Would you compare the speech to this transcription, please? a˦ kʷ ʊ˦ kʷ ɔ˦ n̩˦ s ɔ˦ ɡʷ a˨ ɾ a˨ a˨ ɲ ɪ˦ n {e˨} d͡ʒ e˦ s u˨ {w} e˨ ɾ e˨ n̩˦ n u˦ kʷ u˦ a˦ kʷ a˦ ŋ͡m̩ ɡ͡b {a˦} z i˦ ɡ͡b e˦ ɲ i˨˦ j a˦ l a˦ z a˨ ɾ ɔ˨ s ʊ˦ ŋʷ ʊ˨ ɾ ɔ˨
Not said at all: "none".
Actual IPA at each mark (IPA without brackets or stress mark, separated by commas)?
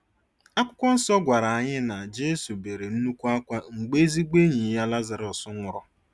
a˨, b, e˦